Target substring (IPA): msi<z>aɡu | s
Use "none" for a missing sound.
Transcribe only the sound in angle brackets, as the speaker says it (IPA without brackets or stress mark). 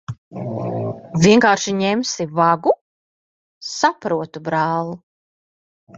v